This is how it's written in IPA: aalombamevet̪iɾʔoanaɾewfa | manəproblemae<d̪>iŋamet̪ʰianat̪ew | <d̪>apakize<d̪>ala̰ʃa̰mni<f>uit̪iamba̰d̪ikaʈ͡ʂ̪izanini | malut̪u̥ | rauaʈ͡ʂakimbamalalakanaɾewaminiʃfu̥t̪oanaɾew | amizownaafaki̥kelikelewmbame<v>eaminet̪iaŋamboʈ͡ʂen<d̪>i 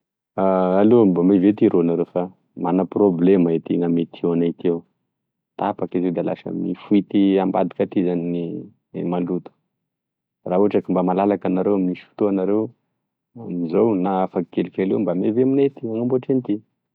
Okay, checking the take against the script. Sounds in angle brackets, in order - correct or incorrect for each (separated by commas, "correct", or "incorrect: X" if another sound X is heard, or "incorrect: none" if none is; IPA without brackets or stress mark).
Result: incorrect: t̪, incorrect: t̪, correct, correct, correct, incorrect: t̪